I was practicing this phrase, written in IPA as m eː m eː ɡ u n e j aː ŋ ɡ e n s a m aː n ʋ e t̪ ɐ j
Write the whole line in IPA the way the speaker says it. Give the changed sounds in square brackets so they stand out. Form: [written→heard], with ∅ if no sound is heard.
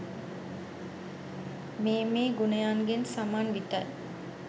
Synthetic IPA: m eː m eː ɡ u n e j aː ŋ ɡ e n s a m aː n ʋ [e→i] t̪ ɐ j